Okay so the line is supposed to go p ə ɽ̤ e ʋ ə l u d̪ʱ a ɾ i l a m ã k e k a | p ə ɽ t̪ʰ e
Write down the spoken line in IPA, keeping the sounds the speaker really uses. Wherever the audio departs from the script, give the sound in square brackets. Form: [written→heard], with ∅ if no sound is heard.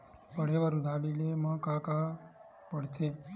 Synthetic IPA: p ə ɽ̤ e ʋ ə [l→ɾ] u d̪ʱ a [ɾ→l] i l [a→e] m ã k [e→a] k a | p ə ɽ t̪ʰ e